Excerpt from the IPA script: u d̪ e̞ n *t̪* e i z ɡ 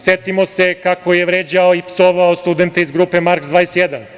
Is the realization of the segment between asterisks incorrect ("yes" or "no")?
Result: no